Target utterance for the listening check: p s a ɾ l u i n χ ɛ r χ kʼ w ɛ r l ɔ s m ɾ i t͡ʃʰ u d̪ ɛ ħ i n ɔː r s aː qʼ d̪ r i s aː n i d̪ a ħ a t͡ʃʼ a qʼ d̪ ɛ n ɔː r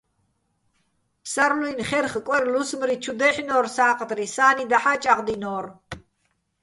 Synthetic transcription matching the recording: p s a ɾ l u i n χ ɛ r χ kʼ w ɛ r l u s m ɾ i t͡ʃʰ u d̪ ɛ ħ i n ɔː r s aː qʼ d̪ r i s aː n i d̪ a ħ a t͡ʃʼ a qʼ d̪ i n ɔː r

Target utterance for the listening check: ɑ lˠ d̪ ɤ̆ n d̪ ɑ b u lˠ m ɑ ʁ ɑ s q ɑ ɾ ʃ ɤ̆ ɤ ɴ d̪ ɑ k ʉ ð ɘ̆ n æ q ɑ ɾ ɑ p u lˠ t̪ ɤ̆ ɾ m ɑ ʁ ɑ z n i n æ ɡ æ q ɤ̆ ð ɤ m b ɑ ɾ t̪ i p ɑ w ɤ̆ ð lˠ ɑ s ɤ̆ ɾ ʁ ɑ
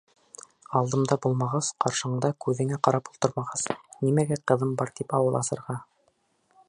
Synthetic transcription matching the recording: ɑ lˠ d̪ ɤ̆ m d̪ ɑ b u lˠ m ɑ ʁ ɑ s q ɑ ɾ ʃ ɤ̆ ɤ ɴ d̪ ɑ k ʉ ð ɘ̆ ŋ æ q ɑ ɾ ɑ p u lˠ t̪ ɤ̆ ɾ m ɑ ʁ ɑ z n i m æ ɡ æ q ɤ̆ ð ɤ m b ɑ ɾ t̪ i p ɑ w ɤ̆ lˠ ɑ s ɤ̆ ɾ ʁ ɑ

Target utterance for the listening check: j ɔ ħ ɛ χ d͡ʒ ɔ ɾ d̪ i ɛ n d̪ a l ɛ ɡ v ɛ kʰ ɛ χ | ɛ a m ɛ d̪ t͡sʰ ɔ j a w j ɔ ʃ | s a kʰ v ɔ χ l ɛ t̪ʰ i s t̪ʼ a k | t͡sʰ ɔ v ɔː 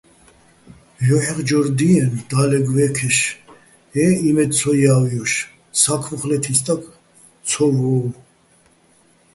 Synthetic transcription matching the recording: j ɔ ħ ɛ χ d͡ʒ ɔ ɾ d̪ i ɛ n d̪ a l ɛ ɡ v ɛ kʰ ɛ ʃ | ɛ i m ɛ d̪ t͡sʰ ɔ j a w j ɔ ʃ | s a kʰ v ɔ χ l ɛ t̪ʰ i s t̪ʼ a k | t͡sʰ ɔ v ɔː

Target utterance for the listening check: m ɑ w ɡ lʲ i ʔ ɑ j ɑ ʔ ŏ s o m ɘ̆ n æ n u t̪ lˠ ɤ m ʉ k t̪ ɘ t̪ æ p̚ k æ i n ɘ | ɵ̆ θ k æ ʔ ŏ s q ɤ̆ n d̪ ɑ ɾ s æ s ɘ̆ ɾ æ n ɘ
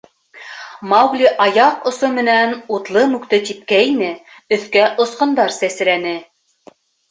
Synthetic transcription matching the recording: m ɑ w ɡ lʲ i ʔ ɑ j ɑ q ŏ s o m ɘ̆ n æ n u t̪ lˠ ɤ m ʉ k t̪ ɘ t̪ i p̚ k æ i n ɘ | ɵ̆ θ k æ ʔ ŏ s q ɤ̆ n d̪ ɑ ɾ s æ s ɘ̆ ɾ æ n ɘ

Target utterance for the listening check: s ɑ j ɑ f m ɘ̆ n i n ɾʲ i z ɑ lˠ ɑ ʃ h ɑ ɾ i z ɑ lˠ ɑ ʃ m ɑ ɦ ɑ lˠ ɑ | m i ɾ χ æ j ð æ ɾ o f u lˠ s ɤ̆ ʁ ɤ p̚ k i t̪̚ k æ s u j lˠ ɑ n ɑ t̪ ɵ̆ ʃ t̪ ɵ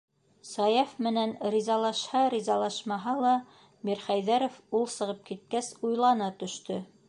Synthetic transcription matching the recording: s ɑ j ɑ f m ɘ̆ n æ n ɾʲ i z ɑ lˠ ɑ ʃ h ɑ ɾ i z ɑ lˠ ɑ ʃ m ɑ ɦ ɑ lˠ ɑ | m i ɾ χ æ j ð æ ɾ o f u lˠ s ɤ̆ ʁ ɤ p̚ k i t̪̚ k æ s u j lˠ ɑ n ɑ t̪ ɵ̆ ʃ t̪ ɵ

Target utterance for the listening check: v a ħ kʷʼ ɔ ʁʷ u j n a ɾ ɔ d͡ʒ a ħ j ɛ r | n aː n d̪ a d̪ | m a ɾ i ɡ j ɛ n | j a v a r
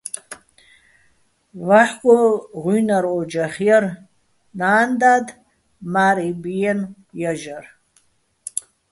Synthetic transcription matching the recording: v a ħ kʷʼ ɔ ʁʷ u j n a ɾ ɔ d͡ʒ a χ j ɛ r | n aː n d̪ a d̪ | m a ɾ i b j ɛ n | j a ʒ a r

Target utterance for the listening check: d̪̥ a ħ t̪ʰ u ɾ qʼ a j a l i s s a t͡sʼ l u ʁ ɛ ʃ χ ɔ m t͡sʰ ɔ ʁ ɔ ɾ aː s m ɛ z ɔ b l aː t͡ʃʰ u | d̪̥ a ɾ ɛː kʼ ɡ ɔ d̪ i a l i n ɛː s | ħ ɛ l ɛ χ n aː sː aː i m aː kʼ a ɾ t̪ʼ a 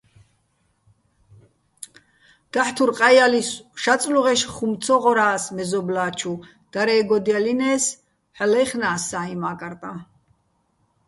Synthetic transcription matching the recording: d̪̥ a ħ t̪ʰ u ɾ qʼ a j a l i s ʃ a t͡sʼ l u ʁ ɛ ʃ χ u m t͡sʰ ɔ ʁ ɔ ɾ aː s m ɛ z ɔ b l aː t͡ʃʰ u | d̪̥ a ɾ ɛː ɡ ɔ d̪ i a l i n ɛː s | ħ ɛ l ɛ χ n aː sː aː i m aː kʼ a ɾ t̪ʼ a

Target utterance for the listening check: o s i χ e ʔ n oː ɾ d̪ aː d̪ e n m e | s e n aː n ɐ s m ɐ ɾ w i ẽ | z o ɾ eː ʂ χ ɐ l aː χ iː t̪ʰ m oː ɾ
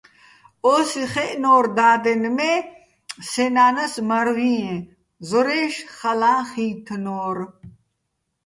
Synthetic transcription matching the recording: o s i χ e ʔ n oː ɾ d̪ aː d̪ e n m e | s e n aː n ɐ s m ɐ ɾ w i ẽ | z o ɾ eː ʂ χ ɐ l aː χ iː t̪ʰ n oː ɾ

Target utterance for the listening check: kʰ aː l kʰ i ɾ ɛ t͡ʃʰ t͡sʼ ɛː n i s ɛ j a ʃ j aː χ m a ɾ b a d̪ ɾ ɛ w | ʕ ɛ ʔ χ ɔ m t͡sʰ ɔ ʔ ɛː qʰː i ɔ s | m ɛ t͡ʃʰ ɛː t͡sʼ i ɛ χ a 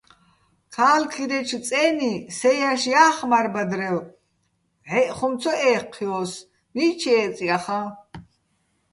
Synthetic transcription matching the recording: kʰ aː l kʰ i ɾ ɛ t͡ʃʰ t͡sʼ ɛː n i s ɛ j a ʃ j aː χ m a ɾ b a d̪ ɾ ɛ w | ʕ ɛ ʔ χ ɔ m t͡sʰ ɔ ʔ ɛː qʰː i ɔ s | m i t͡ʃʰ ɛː t͡sʼ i a χ a

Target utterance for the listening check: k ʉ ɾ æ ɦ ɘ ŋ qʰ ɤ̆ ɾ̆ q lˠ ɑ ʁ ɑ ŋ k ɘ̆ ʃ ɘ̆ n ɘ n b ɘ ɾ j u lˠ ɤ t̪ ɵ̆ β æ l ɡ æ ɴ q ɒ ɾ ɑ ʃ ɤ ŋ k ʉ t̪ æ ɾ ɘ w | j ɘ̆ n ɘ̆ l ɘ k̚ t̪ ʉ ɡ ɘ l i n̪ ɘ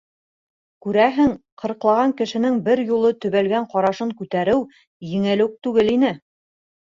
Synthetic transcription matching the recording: k ʉ ɾ æ ɦ ɘ ŋ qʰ ɤ̆ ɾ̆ q lˠ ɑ ʁ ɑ ŋ k ɘ̆ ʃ ɘ̆ n ɘ ŋ b ɘ ɾ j u lˠ ɤ t̪ ɵ̆ β æ l ɡ æ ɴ q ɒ ɾ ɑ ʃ ɤ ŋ k ʉ t̪ æ ɾ ɘ w | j ɘ̆ ŋ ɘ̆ l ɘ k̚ t̪ ʉ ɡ ɘ l i n̪ ɘ

